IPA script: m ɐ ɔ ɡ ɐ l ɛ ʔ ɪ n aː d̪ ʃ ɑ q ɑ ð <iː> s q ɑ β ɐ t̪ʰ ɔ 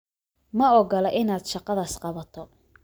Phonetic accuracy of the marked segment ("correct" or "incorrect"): incorrect